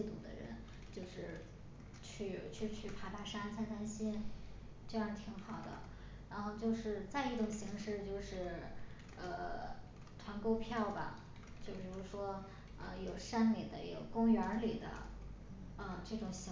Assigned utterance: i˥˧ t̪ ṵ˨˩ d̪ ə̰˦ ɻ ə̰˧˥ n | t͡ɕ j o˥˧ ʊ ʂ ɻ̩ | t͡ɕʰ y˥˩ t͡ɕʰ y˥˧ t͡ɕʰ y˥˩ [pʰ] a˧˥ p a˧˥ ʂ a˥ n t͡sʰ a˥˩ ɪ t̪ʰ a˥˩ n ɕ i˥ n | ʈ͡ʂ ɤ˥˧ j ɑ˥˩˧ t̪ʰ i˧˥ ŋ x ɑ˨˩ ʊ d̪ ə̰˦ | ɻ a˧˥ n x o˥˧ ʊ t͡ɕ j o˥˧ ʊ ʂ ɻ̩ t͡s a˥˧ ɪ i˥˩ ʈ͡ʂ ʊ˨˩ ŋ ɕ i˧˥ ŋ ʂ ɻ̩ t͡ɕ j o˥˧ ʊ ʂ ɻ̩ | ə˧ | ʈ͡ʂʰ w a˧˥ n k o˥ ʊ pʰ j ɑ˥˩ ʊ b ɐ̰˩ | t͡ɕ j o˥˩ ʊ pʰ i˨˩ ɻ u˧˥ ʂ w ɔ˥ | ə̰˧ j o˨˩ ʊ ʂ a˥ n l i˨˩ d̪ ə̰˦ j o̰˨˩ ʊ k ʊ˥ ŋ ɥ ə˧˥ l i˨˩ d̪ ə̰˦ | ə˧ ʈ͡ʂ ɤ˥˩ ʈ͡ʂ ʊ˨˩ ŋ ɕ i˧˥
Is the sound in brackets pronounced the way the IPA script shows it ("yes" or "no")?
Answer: yes